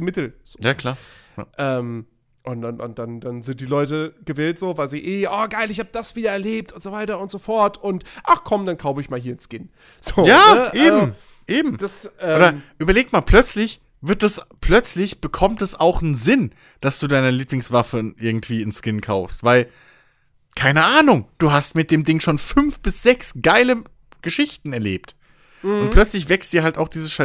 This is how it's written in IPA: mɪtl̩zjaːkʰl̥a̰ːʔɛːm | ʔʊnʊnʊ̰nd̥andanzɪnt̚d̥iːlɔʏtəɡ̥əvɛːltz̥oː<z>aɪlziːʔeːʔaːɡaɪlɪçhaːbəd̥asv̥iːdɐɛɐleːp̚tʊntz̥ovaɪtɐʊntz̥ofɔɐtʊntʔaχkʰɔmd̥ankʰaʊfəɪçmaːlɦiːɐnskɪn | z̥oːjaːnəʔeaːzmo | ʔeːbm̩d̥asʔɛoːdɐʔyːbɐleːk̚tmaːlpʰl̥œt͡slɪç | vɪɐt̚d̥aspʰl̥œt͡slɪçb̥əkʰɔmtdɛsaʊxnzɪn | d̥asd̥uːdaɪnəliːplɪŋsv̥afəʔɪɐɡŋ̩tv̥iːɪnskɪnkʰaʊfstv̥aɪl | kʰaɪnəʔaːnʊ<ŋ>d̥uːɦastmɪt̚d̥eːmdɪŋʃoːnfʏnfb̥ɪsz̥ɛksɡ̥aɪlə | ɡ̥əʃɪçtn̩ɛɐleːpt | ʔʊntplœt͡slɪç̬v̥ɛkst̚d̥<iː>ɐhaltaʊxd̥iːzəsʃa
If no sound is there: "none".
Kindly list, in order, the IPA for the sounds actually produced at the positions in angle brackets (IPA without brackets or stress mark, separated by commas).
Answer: v, ŋ, iː